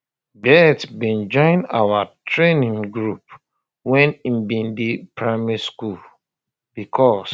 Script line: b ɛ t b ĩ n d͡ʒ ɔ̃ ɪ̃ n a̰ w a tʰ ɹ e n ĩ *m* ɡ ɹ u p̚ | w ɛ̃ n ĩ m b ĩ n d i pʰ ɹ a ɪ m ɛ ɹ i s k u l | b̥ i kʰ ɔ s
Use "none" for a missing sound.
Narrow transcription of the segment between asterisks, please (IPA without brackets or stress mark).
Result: ŋ